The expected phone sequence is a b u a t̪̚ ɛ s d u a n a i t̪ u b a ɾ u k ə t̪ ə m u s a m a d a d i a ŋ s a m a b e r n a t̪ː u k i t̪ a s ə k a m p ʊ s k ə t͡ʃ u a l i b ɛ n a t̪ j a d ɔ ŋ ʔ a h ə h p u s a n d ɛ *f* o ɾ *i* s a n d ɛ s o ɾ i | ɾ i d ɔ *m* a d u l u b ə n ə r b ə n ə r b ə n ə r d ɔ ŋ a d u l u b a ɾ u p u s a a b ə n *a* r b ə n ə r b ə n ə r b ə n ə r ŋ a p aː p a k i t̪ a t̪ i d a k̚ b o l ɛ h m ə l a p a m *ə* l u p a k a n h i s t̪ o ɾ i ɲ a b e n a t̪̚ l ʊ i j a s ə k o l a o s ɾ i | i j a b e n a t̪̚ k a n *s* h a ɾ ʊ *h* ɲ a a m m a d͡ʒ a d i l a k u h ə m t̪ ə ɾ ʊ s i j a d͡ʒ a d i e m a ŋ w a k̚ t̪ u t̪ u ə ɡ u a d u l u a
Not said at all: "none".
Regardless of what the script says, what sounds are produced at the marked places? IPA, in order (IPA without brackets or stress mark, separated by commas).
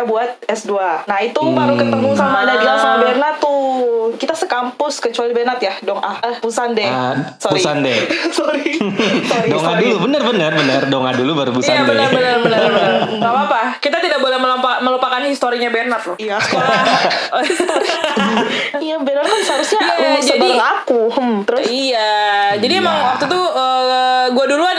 s, i, ŋ, ə, ə, s, s